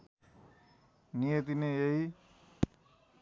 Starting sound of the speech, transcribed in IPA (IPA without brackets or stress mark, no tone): n